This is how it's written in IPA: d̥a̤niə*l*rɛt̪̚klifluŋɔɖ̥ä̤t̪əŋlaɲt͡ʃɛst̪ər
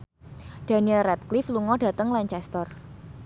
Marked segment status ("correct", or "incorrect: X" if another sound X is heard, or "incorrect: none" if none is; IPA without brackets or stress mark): correct